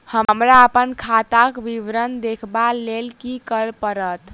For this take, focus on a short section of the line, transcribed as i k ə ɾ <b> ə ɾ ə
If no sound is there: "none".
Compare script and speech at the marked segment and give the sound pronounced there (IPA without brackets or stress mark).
p